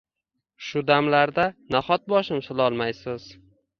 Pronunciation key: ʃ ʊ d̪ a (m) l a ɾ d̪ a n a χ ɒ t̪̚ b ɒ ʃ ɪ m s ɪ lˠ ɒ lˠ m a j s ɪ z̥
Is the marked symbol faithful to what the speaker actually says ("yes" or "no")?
yes